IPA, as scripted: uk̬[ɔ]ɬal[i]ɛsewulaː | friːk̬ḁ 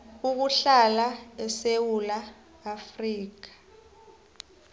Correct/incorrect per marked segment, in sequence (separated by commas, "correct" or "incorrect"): incorrect, incorrect